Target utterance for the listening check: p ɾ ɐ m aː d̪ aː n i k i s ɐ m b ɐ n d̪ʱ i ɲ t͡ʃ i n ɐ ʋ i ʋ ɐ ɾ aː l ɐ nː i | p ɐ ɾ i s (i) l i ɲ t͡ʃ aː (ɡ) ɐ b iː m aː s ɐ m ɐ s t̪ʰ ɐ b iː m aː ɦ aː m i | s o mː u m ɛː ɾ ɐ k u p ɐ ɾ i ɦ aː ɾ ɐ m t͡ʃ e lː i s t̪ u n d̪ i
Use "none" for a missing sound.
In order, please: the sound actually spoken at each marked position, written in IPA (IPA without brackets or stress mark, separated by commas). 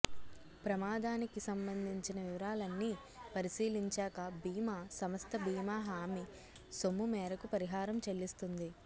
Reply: iː, k